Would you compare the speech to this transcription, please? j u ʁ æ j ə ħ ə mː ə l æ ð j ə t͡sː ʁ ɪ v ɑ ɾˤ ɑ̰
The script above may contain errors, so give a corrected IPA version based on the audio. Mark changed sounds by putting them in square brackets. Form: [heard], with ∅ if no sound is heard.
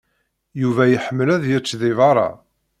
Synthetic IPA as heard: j u [v] æ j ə ħ ə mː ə l æ ð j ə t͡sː [ð] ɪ v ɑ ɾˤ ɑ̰